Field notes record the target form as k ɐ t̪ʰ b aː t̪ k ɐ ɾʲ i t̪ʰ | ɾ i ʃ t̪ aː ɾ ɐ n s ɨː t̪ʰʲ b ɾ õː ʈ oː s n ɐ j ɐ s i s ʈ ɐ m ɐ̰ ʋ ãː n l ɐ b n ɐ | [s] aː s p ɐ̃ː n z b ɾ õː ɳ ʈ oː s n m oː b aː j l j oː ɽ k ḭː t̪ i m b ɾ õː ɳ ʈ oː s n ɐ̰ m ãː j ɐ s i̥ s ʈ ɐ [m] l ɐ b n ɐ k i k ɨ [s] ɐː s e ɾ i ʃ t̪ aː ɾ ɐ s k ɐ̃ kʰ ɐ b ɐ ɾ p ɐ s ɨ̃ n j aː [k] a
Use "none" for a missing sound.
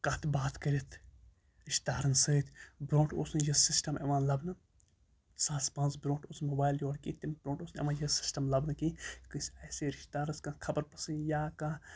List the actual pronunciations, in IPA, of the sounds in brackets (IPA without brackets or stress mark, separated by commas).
s, m, s, k